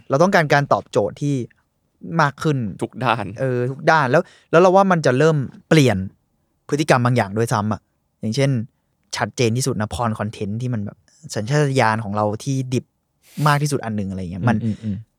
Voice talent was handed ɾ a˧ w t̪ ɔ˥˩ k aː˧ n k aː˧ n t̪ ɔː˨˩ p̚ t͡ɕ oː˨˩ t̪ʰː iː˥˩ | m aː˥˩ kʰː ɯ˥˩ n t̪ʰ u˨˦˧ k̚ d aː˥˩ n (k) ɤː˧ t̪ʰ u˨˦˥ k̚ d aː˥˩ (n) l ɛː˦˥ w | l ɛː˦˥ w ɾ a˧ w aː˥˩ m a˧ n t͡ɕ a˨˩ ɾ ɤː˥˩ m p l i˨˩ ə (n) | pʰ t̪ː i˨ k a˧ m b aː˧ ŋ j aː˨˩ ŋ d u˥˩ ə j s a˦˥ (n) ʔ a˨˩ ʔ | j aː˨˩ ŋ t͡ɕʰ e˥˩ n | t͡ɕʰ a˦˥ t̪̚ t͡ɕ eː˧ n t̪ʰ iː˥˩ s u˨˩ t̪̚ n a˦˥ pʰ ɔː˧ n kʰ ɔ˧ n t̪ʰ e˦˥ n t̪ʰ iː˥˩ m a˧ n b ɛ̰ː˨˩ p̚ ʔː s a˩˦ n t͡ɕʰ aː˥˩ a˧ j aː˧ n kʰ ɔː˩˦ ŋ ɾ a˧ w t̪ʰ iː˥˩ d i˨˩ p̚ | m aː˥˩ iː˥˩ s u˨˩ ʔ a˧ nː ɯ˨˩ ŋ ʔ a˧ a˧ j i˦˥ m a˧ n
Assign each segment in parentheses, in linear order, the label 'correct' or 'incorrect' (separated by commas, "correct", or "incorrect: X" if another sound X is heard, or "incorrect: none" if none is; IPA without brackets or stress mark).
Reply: incorrect: ʔ, correct, correct, incorrect: m